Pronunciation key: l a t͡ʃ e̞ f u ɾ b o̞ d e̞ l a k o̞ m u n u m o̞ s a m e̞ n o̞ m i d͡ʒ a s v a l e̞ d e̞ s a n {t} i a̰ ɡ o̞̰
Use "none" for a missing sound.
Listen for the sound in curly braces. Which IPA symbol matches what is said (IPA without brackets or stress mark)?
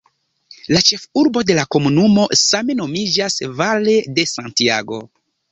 t